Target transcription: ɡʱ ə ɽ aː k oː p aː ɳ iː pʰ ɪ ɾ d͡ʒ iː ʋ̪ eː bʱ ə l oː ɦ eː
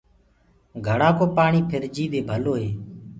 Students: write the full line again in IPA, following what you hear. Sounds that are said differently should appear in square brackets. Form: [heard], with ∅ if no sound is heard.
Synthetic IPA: ɡʱ ə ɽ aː k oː p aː ɳ iː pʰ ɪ ɾ d͡ʒ iː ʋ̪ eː bʱ ə l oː ɦ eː